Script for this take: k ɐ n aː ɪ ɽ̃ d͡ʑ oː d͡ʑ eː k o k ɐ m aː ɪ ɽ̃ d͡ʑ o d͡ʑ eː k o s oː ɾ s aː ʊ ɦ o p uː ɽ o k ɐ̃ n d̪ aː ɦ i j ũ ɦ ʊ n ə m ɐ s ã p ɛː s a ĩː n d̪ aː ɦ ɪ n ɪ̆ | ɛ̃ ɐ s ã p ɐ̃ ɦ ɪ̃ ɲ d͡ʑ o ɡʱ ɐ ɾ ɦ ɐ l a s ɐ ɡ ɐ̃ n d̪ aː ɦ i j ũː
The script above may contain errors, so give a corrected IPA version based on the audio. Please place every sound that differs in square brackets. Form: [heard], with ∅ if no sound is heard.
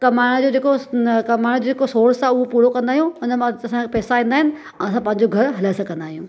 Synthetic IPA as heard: k ɐ [m] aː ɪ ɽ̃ d͡ʑ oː d͡ʑ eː k o k ɐ m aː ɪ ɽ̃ d͡ʑ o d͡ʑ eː k o s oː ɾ s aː ʊ ɦ o p uː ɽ o k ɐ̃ n d̪ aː ɦ i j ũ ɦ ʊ n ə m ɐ s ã p ɛː s a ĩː n d̪ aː ɦ ɪ n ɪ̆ | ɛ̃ ɐ s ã p ɐ̃ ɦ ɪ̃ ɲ d͡ʑ o ɡʱ ɐ ɾ ɦ ɐ l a s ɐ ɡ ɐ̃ n d̪ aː ɦ i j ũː